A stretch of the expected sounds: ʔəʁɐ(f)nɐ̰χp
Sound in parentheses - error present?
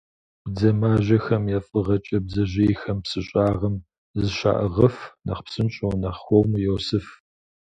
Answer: no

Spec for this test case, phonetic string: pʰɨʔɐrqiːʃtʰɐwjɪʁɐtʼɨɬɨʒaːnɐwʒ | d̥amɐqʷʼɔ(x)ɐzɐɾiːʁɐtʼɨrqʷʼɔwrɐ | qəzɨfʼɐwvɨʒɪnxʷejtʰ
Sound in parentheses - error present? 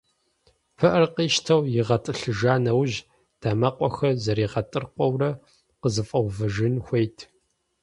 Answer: no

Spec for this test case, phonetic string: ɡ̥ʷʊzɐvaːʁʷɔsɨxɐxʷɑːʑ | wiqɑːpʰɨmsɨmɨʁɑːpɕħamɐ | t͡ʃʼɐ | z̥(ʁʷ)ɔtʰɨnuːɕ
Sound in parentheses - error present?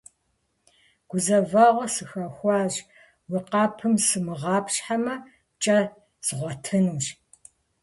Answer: no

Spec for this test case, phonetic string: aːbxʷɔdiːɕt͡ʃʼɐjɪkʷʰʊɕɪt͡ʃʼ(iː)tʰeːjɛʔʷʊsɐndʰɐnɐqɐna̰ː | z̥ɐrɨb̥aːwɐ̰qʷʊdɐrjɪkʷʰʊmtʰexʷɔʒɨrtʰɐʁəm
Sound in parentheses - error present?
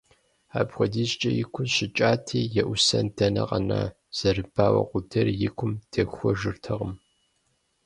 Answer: yes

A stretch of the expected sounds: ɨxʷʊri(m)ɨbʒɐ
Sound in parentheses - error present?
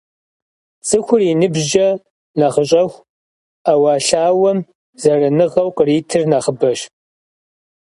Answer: yes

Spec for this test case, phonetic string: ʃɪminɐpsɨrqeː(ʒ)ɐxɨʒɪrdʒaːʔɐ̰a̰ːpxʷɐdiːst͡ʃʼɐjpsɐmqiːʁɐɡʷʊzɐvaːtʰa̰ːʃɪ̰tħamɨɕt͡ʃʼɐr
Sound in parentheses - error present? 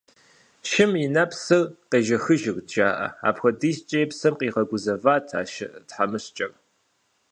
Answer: no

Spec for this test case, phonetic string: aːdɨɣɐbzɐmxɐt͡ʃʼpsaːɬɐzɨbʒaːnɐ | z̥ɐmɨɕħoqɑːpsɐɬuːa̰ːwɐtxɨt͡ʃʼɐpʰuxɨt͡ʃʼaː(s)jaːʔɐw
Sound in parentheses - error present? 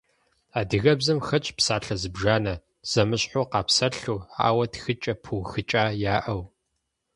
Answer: yes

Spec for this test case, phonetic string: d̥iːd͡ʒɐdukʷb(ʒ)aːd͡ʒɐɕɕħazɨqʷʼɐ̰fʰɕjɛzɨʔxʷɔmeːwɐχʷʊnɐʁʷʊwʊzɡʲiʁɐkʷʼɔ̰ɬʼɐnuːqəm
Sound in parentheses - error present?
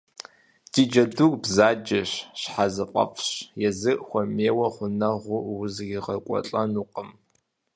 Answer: yes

